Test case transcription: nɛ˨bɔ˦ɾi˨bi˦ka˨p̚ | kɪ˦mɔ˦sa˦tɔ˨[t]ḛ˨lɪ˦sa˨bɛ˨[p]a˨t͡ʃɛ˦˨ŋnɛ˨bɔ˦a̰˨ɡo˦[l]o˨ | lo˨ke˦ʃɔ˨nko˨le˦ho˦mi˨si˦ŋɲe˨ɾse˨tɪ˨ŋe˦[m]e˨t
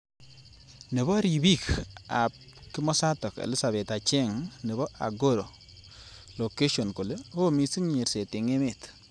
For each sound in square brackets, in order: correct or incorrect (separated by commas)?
incorrect, incorrect, incorrect, correct